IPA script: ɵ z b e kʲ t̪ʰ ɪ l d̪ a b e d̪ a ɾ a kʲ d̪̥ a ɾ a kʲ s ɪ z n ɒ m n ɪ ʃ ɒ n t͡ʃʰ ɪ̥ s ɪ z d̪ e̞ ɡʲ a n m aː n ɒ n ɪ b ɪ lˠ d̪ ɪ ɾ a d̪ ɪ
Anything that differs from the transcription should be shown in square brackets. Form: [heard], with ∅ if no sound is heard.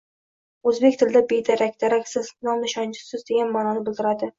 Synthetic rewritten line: ɵ z b e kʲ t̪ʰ ɪ l d̪ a b e d̪ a ɾ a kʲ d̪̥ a ɾ a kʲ s ɪ z n ɒ m n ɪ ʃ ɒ n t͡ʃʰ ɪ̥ s ɪ z d̪ e̞ ɡʲ a n m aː n ɒ n ɪ b ɪ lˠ d̪ ɪ ɾ a d̪ ɪ